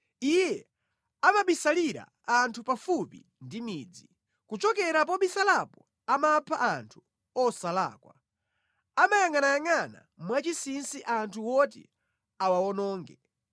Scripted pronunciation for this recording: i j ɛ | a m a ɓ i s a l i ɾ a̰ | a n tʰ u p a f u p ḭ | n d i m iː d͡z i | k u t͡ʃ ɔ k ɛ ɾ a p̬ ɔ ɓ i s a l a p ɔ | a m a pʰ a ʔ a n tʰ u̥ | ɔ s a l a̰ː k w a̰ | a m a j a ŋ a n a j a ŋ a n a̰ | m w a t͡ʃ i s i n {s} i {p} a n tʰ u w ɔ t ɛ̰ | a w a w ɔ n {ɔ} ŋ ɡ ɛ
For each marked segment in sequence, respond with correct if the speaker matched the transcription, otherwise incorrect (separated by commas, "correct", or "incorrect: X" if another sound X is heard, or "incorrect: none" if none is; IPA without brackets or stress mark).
correct, incorrect: ʔ, incorrect: ɔː